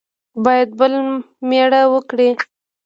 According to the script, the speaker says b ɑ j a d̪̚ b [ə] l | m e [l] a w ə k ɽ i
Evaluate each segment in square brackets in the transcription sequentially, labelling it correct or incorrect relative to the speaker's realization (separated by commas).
correct, incorrect